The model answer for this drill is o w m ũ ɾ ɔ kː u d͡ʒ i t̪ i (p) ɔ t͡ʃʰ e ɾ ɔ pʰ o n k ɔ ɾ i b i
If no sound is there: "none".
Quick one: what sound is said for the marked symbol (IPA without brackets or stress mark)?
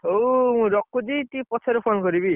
p